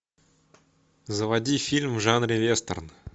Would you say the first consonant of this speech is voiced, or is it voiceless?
voiced